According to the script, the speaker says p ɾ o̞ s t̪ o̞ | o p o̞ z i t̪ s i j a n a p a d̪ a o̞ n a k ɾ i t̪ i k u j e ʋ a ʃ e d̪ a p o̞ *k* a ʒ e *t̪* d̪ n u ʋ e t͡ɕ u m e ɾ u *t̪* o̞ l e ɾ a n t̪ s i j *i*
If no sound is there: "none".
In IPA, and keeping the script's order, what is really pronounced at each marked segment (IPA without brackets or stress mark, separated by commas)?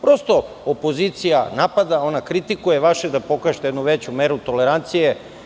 k, t̪, t̪, e